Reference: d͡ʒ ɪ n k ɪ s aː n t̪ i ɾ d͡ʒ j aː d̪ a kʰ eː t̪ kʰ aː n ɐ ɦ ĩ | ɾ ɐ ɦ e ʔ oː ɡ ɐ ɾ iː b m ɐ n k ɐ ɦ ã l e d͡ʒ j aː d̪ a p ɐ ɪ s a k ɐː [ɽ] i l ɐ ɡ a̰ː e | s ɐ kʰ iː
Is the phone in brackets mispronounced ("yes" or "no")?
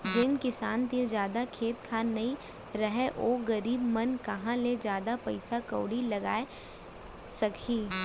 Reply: no